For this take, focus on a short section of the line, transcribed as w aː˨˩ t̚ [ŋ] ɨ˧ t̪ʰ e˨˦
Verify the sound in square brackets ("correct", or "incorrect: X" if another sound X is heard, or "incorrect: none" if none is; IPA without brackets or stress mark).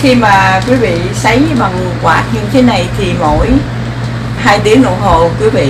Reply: incorrect: ɲ